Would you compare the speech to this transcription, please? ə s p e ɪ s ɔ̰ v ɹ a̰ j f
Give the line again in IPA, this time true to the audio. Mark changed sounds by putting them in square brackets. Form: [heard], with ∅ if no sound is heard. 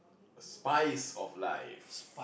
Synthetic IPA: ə s p [a] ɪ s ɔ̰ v [l] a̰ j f

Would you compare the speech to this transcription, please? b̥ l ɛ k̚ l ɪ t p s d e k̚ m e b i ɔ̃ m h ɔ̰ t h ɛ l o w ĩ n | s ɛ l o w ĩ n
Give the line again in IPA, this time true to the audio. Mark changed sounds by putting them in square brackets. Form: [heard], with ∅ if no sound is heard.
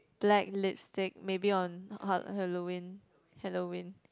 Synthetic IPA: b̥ l ɛ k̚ l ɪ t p s [t] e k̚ m e b i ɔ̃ [n] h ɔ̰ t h ɛ l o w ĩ n | [h] ɛ l o w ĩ n

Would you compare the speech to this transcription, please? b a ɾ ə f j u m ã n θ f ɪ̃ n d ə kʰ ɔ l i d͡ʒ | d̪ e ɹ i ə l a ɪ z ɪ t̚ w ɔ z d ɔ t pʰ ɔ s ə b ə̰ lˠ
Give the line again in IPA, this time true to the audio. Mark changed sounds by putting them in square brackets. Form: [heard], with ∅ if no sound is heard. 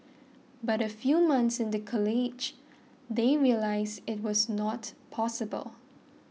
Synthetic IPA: b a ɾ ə f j u m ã n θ [s] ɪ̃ n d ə kʰ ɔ l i d͡ʒ | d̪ e ɹ i ə l a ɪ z ɪ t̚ w ɔ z [n] ɔ t pʰ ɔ s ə b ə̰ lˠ

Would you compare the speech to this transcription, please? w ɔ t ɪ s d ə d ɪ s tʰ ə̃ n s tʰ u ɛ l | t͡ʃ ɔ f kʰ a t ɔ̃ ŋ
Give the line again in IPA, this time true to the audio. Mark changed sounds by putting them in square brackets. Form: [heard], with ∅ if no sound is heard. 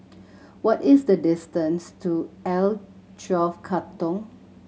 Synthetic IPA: w ɔ t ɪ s d ə d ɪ s [t] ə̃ n s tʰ u ɛ l | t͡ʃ ɔ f kʰ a t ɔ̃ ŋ

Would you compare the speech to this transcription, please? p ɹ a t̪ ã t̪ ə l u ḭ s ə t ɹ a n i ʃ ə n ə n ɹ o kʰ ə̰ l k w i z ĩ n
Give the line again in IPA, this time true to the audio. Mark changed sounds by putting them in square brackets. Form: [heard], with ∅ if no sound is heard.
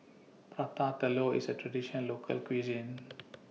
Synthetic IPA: p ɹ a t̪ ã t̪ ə l [o] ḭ s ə t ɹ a [d] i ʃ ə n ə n [l] o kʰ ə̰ l k w i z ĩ n

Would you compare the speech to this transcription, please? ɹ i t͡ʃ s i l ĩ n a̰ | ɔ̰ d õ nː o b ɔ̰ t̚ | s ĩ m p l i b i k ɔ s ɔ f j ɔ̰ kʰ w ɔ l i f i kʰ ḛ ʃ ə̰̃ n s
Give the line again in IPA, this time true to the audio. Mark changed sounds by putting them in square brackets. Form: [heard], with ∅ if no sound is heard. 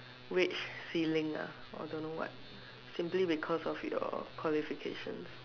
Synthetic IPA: ɹ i t͡ʃ s i l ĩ [ŋ] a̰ | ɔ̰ d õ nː o [w] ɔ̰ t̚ | s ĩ m p l i b i [kʰ] ɔ s ɔ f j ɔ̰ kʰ w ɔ l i f i kʰ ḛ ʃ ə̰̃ n s

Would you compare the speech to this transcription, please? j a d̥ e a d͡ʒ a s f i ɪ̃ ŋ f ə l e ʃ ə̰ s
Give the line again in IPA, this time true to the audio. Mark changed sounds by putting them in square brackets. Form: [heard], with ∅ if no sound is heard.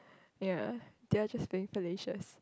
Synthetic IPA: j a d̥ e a d͡ʒ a s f i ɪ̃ ŋ f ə l e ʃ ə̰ s

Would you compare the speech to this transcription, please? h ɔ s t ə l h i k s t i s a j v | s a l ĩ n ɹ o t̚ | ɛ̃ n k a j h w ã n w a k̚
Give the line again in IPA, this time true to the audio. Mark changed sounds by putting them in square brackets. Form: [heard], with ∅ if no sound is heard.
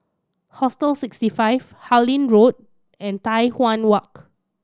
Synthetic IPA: h ɔ s t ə l [s] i k s t i [f] a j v | [h] a l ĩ n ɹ o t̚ | ɛ̃ n [t] a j h w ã n w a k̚

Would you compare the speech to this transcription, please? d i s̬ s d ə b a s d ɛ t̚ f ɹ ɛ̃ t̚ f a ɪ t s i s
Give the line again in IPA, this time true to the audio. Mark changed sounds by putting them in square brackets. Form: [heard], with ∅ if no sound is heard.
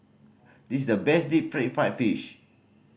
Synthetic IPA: d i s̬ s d ə b [ɛ] s d [i] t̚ f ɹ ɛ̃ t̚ f a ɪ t [f] i [ʃ]

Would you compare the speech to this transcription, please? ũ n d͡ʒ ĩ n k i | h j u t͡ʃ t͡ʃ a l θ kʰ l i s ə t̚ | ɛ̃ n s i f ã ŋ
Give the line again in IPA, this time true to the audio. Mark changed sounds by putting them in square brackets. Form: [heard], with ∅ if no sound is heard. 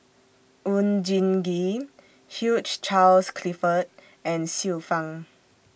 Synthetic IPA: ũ n d͡ʒ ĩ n [ɡ] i | h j u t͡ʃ t͡ʃ a l [s] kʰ l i [f] ə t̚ | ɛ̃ n s i f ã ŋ

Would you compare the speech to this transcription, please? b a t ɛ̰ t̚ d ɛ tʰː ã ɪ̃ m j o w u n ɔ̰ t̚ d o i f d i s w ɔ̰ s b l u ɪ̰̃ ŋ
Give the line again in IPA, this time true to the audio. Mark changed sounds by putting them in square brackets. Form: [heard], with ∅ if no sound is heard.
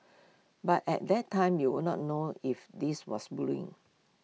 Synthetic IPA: b a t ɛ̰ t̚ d ɛ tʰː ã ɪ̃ m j [u] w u n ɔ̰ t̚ [n] o i f d i s w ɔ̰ s b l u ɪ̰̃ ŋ

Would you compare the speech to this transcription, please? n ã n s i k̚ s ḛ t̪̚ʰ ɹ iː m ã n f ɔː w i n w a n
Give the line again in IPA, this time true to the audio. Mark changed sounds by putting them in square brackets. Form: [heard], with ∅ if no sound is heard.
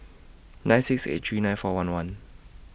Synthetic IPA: n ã n s i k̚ s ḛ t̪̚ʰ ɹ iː [n] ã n f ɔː w [a] n w a n

